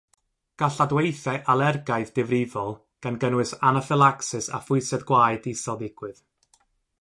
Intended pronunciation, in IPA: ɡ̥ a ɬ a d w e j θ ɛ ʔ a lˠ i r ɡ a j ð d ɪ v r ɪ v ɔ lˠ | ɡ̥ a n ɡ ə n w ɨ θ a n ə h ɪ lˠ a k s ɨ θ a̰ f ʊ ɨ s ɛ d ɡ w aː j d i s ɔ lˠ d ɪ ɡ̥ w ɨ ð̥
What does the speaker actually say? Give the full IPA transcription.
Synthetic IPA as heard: ɡ̥ a ɬ a d w e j θ ɛ ʔ a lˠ ɛ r ɡ a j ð d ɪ v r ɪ v ɔ lˠ | ɡ̥ a n ɡ ə n w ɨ s a n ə f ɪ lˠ a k s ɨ s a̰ f ʊ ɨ s ɛ d ɡ w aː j d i s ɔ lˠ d ɪ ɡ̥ w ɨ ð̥